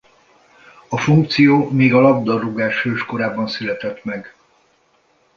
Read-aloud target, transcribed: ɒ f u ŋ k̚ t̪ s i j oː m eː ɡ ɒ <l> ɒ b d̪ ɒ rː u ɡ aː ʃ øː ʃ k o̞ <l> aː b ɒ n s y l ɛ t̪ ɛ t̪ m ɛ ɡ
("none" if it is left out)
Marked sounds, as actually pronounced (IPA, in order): l, ɾ

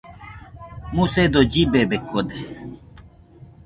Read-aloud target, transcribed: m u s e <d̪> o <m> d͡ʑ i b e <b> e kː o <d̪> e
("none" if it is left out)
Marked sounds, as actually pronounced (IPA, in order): d̪, none, b, d̪

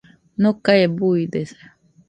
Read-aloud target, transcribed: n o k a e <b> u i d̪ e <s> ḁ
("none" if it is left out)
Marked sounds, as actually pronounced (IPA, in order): b, s

